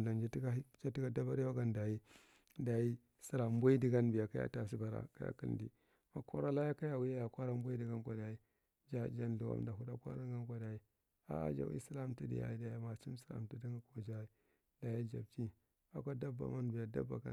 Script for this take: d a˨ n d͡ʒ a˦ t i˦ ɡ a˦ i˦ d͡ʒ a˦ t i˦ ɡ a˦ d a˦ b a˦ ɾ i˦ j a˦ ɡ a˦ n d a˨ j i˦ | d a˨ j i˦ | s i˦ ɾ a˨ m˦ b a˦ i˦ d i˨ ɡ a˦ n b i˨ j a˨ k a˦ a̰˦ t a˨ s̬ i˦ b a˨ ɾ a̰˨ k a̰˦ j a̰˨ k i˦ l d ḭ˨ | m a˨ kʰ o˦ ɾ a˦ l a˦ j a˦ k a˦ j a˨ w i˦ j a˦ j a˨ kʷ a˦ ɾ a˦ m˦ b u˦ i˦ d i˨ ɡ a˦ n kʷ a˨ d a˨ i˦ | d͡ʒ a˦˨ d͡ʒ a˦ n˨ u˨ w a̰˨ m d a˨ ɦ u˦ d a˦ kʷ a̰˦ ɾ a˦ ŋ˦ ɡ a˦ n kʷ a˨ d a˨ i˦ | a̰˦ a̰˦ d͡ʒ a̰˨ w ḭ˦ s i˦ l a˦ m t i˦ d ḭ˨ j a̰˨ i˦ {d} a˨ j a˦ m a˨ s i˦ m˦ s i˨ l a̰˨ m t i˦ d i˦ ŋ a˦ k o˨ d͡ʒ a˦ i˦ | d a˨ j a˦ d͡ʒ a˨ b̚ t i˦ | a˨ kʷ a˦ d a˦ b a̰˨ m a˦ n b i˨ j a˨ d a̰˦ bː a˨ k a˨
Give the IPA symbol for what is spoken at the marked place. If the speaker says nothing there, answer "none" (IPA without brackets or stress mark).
d